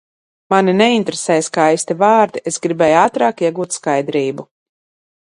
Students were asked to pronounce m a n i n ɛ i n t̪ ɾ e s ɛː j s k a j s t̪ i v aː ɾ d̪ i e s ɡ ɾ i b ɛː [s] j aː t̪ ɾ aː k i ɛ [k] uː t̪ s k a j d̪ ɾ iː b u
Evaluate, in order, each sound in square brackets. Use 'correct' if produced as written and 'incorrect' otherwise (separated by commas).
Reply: incorrect, incorrect